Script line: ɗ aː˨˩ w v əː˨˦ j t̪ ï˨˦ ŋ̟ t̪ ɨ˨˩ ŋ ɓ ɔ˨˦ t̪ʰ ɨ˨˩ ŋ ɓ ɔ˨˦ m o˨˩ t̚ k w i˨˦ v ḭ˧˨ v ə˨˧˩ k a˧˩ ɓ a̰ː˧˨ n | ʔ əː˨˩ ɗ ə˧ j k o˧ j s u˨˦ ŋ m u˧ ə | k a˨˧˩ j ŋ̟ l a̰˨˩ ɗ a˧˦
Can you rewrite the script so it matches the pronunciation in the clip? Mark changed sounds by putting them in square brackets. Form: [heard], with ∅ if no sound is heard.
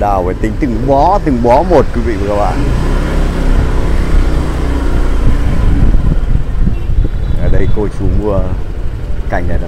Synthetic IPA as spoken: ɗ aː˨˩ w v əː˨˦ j t̪ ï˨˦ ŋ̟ t̪ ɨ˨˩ ŋ ɓ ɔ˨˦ [t̪] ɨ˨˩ ŋ ɓ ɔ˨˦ m o˨˩ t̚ k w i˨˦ v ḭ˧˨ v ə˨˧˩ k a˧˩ ɓ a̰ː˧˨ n | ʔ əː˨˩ ɗ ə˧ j k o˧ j s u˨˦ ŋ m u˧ ə | k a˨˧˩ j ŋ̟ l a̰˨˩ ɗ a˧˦